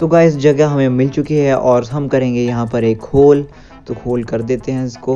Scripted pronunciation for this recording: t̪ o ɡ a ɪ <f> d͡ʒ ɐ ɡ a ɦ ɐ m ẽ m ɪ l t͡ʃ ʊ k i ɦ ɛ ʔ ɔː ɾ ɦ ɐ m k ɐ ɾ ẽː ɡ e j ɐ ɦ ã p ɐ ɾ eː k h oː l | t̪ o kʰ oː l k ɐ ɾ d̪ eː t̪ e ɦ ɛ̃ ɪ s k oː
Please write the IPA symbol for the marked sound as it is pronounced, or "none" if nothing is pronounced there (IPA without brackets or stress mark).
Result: s